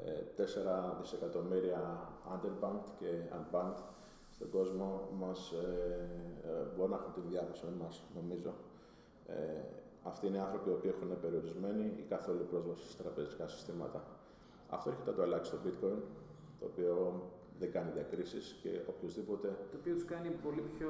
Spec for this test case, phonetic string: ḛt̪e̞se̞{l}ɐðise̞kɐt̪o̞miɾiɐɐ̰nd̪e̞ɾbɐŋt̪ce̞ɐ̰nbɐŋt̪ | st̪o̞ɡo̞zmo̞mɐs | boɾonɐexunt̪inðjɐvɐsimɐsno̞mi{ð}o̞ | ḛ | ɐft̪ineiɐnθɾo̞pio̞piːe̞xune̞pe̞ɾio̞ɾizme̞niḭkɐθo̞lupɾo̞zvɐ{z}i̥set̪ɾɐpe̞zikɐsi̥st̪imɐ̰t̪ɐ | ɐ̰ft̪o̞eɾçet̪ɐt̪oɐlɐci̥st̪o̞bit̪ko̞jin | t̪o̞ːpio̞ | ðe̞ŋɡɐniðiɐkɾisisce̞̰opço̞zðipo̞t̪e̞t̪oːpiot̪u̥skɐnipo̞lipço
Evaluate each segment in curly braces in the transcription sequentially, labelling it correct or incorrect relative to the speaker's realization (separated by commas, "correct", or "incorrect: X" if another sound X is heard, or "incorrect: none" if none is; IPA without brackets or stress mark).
incorrect: ɾ, incorrect: z, incorrect: s